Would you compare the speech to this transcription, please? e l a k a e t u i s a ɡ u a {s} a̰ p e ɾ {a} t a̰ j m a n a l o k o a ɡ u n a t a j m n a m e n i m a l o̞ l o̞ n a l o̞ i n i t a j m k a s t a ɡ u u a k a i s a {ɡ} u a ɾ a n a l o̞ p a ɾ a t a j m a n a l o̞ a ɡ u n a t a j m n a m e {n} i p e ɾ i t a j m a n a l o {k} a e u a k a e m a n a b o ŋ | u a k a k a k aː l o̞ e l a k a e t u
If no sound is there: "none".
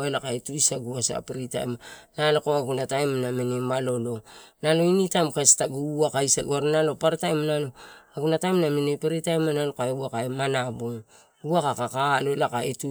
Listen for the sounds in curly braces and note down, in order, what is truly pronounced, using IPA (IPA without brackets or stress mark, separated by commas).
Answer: s, i, ɡ, n, k